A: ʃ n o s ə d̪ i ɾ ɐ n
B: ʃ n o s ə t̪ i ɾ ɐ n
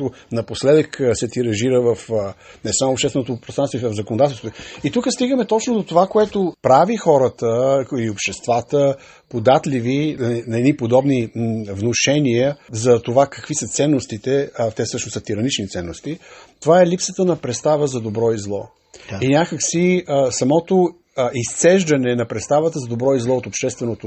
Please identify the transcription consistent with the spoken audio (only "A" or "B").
B